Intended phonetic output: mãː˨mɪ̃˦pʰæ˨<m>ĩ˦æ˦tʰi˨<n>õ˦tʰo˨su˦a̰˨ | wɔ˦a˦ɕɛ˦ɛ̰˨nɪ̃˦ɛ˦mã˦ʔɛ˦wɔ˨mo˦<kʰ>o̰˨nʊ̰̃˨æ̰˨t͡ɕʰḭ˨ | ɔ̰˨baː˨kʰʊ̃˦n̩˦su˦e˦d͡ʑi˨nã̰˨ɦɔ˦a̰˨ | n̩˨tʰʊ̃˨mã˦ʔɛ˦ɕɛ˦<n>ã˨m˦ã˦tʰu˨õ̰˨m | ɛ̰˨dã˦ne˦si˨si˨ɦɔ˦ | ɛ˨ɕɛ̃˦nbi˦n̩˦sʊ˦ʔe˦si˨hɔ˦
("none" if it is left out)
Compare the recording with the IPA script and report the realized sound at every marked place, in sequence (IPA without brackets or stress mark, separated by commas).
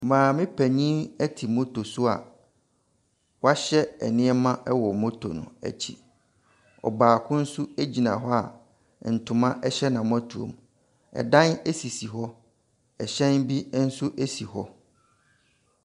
ɲ, m, tʰ, n